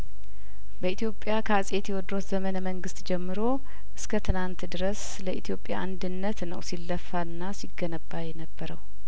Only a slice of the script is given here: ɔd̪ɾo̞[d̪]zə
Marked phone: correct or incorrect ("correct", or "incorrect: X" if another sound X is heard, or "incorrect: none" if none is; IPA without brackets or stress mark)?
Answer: incorrect: t̪